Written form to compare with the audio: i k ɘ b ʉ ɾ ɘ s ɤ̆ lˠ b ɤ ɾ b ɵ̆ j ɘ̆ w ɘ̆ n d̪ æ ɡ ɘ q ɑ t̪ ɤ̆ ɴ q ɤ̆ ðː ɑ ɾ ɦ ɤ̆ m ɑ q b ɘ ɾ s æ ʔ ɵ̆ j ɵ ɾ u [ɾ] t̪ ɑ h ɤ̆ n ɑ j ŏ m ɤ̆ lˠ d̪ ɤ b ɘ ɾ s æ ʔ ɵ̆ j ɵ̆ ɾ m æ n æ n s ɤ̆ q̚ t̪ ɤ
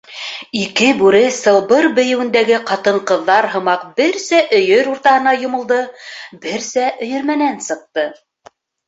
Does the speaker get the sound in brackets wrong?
no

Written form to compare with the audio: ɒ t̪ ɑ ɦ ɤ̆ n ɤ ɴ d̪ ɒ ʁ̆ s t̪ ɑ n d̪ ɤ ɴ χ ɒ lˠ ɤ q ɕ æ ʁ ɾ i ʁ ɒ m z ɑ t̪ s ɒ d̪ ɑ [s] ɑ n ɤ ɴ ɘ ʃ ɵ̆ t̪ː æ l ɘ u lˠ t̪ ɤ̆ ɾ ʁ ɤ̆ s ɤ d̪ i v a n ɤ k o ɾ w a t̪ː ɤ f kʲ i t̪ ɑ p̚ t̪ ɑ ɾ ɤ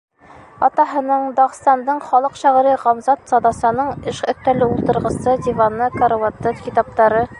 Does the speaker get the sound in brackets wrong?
no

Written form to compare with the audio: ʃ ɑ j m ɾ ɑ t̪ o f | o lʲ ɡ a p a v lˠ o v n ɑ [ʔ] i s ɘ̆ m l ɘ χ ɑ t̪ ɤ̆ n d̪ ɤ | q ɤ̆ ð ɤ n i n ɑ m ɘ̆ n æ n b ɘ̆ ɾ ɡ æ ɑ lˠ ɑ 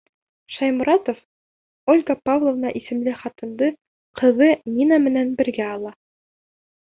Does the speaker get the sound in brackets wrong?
no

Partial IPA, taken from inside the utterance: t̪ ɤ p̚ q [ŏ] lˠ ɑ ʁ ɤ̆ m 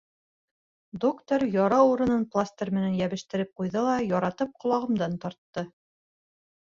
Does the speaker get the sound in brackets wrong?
no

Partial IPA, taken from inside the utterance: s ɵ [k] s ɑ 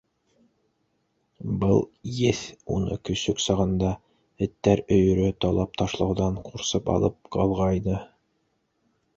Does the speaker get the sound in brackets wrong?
no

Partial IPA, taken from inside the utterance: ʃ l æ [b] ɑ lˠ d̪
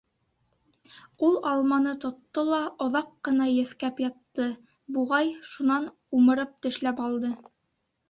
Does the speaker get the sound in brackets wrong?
yes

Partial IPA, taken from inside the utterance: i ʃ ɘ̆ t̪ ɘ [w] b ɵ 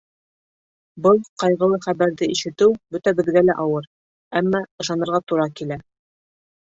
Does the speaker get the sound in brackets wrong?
no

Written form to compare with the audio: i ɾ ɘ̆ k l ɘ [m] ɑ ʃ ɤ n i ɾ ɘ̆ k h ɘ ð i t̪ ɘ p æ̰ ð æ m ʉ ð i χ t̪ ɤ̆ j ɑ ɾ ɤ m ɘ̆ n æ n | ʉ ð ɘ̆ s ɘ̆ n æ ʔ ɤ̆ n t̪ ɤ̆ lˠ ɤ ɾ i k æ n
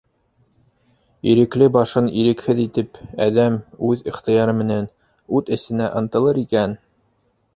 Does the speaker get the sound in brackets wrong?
yes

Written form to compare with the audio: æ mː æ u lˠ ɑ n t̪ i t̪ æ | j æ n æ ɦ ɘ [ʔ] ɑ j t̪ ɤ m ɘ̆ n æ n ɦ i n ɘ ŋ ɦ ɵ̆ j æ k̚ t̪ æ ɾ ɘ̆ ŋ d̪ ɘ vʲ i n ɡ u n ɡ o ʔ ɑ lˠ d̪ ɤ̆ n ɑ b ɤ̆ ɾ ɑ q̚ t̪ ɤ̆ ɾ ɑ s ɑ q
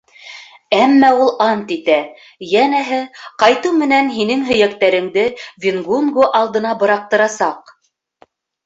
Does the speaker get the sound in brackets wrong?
yes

